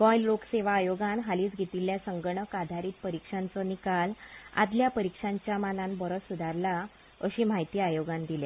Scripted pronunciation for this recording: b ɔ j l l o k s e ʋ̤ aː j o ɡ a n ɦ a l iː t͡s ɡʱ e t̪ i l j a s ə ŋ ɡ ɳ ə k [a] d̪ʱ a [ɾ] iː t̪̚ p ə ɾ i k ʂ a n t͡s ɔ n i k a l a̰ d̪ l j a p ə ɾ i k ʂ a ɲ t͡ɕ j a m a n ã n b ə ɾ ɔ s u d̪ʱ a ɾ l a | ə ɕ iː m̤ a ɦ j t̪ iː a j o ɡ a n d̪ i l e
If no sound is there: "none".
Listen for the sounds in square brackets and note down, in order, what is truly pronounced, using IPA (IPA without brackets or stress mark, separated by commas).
a, ɾ